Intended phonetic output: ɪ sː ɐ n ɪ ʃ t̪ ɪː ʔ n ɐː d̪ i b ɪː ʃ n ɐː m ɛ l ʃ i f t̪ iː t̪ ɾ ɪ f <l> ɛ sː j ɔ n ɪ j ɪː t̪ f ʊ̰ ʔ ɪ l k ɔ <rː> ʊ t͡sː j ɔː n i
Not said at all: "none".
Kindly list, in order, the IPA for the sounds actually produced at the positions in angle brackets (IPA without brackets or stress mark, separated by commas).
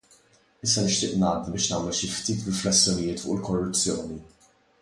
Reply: l, rː